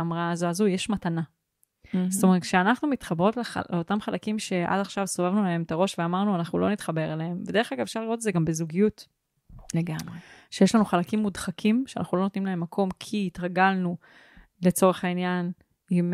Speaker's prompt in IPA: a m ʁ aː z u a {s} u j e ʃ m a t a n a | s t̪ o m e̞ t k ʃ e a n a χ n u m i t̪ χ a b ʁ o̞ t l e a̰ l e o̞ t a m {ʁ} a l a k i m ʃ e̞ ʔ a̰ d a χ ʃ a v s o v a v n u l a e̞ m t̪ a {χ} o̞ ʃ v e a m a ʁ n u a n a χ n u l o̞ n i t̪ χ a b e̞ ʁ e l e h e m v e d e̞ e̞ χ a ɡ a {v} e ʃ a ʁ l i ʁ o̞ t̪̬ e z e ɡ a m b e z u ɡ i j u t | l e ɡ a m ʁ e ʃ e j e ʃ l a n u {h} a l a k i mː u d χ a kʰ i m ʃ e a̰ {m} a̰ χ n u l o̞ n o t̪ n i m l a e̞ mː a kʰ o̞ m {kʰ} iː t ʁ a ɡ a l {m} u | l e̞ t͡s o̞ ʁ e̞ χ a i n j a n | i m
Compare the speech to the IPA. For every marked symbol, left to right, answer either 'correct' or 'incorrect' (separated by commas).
incorrect, incorrect, incorrect, correct, incorrect, incorrect, correct, incorrect